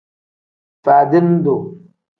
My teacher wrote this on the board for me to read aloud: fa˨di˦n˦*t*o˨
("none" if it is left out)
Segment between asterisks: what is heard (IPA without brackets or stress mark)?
d